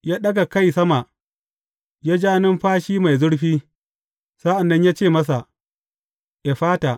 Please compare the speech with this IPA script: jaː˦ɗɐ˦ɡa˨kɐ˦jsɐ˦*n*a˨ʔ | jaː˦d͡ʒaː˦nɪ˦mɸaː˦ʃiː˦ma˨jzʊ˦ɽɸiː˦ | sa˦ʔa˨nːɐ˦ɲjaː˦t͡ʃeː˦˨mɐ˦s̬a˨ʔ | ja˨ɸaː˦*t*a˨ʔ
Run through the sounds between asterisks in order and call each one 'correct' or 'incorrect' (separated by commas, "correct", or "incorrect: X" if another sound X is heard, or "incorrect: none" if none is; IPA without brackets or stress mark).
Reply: incorrect: m, correct